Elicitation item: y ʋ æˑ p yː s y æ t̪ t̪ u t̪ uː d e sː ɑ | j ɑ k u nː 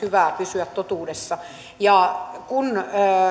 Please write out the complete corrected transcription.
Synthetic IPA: y ʋ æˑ p y s y æ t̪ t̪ o t̪ uː d e sː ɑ | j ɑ k u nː